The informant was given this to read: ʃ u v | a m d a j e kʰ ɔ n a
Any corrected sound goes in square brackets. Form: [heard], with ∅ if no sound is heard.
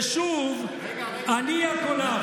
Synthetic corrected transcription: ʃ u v | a [n] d [i] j [a] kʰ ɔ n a